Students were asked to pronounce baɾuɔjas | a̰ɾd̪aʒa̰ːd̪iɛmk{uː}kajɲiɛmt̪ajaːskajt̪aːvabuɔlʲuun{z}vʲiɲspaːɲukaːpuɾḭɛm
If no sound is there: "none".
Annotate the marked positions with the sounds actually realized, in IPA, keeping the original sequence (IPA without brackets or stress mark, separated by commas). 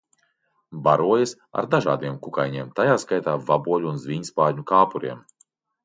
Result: u, z